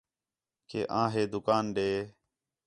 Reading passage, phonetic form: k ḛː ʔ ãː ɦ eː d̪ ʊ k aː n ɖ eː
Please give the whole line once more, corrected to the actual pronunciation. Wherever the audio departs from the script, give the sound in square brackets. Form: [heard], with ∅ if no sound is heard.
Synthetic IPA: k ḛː ʔ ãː ɦ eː d̪ ʊ k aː n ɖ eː